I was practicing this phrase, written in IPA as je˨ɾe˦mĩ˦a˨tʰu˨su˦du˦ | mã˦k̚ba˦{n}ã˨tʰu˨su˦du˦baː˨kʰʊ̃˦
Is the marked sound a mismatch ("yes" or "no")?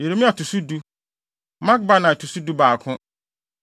no